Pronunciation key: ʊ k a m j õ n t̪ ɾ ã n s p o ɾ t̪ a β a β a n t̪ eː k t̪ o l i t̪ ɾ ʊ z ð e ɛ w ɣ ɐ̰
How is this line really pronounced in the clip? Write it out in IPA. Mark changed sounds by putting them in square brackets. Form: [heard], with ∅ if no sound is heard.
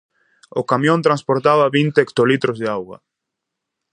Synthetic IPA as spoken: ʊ k a m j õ n t̪ ɾ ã n s p o ɾ t̪ a β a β [i] n t̪ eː k t̪ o l i t̪ ɾ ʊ z ð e [a] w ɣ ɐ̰